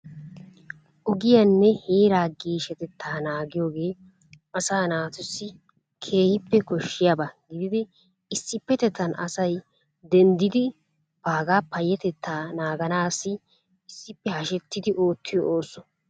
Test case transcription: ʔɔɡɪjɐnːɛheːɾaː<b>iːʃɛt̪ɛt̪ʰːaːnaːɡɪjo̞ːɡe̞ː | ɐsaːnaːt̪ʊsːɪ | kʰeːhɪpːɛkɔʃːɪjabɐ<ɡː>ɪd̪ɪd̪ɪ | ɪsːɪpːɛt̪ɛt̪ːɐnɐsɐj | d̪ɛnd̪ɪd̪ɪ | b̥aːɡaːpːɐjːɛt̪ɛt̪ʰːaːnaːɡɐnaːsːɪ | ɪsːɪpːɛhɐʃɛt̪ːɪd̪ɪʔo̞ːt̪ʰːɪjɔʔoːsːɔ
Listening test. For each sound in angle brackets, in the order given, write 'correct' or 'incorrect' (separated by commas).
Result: incorrect, incorrect